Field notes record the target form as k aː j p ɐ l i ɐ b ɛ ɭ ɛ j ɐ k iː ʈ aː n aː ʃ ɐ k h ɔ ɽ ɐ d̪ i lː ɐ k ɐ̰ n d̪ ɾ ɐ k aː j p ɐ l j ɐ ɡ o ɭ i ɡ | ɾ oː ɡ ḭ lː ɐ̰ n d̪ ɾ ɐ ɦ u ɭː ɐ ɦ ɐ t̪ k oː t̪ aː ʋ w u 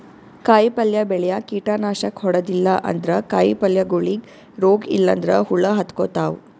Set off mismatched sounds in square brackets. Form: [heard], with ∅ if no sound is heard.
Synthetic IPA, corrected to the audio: k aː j p ɐ l [j] ɐ b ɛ ɭ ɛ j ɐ k iː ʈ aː n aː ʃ ɐ k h ɔ ɽ ɐ d̪ i lː ɐ [ʔ] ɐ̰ n d̪ ɾ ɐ k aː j p ɐ l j ɐ ɡ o ɭ i ɡ | ɾ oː ɡ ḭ lː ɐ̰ n d̪ ɾ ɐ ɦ u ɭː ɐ ɦ ɐ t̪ k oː t̪ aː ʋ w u